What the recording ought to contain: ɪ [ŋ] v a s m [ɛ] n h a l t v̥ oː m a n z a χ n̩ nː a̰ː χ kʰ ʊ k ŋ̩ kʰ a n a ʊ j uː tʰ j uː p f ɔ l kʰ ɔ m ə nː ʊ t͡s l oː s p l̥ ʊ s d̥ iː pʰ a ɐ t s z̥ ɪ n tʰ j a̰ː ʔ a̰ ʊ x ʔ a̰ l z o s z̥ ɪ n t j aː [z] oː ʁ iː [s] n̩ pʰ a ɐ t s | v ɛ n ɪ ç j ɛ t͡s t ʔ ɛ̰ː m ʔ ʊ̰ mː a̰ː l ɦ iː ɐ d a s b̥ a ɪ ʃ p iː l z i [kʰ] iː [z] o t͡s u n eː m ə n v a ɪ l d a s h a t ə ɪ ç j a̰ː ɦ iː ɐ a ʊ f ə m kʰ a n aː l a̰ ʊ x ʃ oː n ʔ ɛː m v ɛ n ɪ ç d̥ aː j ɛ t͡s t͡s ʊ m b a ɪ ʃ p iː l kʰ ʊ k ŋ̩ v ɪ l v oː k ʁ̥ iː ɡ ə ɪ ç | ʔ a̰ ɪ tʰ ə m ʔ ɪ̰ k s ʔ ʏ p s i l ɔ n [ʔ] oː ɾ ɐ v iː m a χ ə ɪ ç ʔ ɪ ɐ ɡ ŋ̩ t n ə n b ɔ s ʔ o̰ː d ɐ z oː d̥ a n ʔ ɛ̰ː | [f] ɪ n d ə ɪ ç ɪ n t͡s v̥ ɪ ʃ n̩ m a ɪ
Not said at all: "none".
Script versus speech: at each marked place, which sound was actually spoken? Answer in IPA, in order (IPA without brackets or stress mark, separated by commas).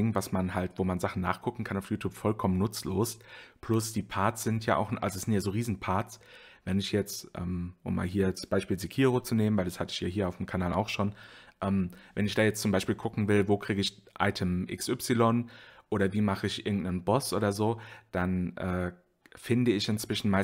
ŋ, a, z, z, kʰ, ʁ, ʔ, f